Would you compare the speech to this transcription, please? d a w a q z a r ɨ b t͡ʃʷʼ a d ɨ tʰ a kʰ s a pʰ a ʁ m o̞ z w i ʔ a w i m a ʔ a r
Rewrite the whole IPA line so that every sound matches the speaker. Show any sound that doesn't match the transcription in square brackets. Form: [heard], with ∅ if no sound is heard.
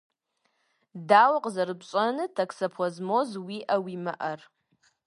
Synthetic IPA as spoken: d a w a [qʼ] z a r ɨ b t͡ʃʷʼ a [n] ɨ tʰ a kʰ s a pʰ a [z] m o̞ z w i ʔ a w i m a ʔ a r